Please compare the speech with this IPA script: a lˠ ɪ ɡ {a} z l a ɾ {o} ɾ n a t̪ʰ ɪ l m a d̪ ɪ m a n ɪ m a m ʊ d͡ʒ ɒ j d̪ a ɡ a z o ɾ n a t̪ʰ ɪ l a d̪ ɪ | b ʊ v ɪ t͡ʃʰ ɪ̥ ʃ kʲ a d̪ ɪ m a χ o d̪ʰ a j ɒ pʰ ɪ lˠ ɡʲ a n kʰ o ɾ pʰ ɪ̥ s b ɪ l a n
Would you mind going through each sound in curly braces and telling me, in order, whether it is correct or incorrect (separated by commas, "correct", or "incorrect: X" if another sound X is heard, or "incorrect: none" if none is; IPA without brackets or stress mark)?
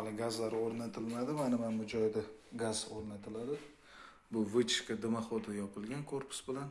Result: correct, correct